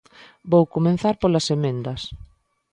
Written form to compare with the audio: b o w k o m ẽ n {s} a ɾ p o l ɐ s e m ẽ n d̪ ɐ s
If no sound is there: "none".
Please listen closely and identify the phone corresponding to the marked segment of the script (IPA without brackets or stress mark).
θ